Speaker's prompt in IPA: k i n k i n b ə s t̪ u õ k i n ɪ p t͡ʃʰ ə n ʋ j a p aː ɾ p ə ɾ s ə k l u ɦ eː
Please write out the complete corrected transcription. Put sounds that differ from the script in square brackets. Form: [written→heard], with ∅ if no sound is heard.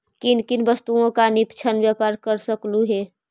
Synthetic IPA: k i n k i n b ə s t̪ u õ k [i→a] n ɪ p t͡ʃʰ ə n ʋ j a p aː ɾ [p→k] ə ɾ s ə k l u ɦ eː